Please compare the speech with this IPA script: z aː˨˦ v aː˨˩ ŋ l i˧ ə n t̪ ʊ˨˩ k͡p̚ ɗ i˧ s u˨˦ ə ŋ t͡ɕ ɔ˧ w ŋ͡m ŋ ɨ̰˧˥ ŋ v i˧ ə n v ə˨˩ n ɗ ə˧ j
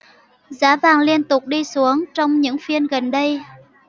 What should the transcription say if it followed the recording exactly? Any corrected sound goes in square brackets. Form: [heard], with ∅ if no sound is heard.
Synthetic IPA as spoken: z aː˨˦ v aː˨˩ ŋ l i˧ ə n t̪ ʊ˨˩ k͡p̚ ɗ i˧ s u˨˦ ə ŋ t͡ɕ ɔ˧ w ŋ͡m [ɲ] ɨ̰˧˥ ŋ [f] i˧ ə n [ɣ] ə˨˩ n ɗ ə˧ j